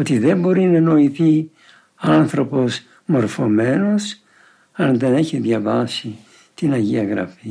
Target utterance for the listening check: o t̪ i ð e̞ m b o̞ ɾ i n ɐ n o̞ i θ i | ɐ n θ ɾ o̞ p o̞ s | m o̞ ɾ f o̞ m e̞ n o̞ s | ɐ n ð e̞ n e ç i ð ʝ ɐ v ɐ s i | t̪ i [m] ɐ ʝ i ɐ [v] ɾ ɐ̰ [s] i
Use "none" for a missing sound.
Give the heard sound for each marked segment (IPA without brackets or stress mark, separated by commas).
n, ɣ, f